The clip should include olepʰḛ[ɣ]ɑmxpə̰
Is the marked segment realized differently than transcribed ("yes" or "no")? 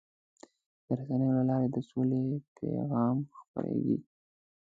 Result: no